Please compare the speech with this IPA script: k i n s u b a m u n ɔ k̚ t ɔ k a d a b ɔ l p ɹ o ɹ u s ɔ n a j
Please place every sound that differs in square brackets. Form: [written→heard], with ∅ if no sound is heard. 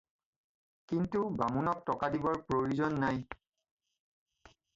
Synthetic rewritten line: k i n [s→t] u b a m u n ɔ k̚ t ɔ k a d [a→i] b ɔ [l→ɹ] p ɹ o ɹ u [s→z] ɔ [n→nː] a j